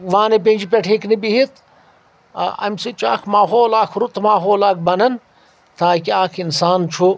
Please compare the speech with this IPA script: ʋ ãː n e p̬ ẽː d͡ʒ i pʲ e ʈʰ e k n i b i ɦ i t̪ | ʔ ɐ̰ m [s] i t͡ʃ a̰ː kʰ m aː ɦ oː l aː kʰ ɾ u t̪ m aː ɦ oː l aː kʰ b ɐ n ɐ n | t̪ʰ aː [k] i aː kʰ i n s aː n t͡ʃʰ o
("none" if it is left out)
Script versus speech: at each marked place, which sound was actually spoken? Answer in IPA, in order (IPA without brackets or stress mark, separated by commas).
s, k